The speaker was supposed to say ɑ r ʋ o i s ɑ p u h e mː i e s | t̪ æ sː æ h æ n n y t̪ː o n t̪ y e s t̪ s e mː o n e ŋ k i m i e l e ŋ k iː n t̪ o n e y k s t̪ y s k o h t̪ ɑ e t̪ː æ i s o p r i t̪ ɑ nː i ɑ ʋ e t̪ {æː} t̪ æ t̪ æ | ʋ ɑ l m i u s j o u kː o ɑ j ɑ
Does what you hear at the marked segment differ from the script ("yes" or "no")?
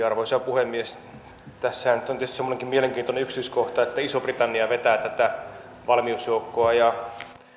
no